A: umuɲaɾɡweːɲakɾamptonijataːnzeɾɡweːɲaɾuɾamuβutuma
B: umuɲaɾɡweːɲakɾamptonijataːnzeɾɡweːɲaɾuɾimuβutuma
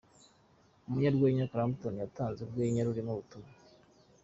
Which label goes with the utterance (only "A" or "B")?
B